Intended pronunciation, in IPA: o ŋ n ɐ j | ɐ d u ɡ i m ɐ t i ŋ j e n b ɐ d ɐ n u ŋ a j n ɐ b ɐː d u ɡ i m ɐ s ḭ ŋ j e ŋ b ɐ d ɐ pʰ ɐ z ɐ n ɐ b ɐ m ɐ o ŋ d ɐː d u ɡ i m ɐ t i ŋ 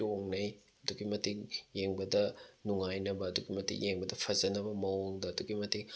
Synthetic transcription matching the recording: o ŋ n ɐ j | ɐ d u ɡ i m ɐ t i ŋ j e ŋ b ɐ d ɐ n u ŋ a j n ɐ b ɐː d u ɡ i m ɐ t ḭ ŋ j e ŋ b ɐ d ɐ pʰ ɐ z ɐ n ɐ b ɐ m ɐ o ŋ d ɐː d u ɡ i m ɐ t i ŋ